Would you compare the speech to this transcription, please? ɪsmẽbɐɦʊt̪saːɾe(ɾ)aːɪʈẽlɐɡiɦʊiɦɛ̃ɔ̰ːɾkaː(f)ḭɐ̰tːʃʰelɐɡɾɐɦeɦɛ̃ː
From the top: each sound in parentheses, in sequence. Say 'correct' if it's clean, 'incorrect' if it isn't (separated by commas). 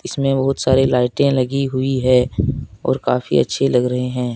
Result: incorrect, correct